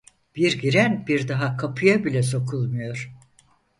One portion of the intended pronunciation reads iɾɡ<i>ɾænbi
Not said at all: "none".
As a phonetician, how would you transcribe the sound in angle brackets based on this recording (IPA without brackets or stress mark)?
i